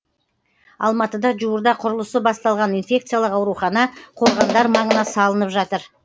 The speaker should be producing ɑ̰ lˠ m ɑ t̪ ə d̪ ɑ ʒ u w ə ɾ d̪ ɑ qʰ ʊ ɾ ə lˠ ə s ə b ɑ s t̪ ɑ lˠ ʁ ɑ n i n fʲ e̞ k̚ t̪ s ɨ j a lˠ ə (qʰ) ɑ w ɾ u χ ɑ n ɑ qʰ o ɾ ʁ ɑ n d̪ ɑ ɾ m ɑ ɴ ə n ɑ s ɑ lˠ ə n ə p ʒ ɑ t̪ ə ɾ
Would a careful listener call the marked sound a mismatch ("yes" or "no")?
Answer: yes